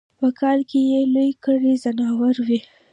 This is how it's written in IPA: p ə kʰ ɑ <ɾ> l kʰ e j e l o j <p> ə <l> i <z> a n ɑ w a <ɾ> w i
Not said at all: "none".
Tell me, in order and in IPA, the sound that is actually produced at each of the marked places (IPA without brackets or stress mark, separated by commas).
none, k, ɽ, z, ɾ